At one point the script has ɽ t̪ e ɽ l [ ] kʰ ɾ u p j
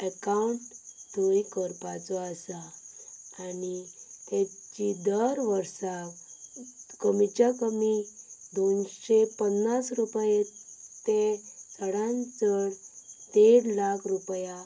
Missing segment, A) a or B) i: A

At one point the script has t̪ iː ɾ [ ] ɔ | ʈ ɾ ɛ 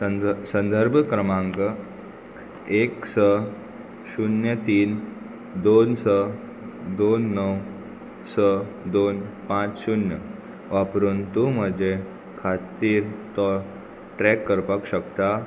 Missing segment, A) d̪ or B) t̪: B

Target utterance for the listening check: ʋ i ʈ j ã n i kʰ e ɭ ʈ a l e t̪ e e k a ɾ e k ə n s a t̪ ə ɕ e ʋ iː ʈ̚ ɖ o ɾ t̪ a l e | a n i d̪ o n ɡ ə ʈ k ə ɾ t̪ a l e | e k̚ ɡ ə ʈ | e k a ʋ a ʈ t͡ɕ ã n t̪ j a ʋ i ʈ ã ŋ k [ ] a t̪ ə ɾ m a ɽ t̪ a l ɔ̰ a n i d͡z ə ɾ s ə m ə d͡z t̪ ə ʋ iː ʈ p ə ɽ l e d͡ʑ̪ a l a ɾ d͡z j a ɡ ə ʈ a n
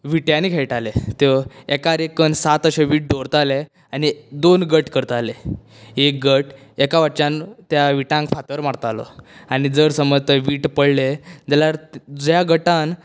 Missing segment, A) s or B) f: B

